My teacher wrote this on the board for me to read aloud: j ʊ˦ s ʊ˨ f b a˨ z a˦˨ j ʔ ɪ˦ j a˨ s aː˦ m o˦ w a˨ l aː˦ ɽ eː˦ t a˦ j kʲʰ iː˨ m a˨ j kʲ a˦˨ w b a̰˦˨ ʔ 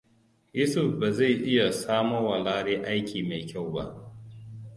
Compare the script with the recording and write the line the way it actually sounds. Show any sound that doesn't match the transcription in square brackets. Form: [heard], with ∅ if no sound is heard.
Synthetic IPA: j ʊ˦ s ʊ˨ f b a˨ z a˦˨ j ʔ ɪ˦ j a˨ s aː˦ m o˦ w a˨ l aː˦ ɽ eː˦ [ʔ] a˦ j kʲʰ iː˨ m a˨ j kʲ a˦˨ w b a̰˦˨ ʔ